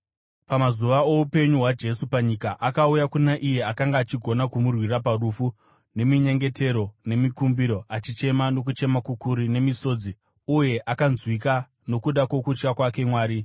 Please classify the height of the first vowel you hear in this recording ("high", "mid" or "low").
low